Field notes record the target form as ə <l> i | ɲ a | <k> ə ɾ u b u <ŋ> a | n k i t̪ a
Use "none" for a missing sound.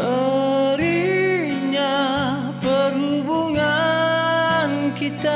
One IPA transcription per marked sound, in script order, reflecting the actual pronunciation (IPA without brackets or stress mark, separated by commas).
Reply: ɾ, p, ŋ